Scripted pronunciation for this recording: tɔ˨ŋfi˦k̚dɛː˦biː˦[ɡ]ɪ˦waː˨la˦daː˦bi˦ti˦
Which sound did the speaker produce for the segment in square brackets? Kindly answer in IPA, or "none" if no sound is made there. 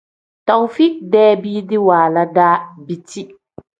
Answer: d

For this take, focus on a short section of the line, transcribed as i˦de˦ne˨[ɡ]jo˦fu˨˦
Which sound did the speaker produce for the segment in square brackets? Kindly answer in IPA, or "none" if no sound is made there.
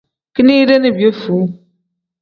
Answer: b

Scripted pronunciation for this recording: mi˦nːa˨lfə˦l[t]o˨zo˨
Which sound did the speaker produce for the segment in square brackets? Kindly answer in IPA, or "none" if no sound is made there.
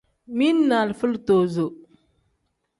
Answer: t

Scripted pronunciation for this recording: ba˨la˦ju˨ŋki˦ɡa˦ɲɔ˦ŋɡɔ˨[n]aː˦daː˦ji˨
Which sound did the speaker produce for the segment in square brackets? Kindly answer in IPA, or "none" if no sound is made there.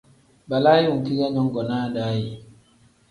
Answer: n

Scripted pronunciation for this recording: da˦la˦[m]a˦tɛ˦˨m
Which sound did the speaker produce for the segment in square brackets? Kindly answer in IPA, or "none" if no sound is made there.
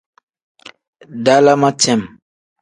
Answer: m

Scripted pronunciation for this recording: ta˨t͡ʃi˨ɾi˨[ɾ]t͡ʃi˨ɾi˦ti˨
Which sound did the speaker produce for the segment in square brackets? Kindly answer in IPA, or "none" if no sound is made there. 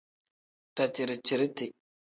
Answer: none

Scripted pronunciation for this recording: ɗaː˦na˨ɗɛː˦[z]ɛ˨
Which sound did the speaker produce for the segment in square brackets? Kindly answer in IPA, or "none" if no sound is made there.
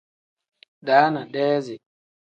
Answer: z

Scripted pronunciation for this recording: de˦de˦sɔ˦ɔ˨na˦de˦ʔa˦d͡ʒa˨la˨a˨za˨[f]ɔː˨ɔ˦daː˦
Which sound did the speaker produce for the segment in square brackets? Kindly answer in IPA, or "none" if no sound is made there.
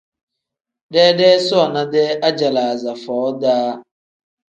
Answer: f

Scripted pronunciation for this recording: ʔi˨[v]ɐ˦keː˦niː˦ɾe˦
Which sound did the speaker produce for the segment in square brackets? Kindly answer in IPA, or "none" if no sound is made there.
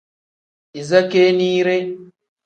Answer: z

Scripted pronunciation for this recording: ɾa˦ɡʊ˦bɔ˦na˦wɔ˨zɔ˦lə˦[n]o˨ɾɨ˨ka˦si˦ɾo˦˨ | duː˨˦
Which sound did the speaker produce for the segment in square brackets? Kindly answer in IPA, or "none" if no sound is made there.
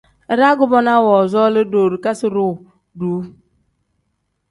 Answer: d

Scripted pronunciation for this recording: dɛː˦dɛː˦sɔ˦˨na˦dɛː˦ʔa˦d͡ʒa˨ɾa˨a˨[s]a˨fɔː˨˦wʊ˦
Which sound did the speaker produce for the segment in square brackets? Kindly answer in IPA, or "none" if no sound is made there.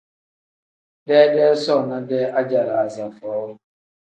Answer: z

